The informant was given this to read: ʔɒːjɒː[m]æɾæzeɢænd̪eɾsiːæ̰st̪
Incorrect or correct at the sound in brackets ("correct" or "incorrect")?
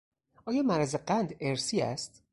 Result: correct